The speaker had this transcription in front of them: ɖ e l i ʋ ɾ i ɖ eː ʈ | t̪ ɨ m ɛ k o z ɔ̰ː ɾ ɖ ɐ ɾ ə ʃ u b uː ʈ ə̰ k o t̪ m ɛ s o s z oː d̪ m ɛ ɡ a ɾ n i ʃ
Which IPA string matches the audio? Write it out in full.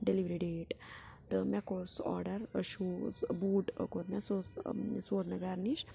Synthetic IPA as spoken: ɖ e l i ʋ ɾ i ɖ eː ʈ | t̪ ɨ m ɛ k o s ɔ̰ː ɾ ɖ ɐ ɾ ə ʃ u b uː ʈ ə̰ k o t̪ m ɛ s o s s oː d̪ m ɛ ɡ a ɾ n i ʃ